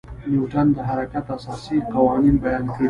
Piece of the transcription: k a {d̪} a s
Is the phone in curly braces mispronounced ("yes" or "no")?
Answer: yes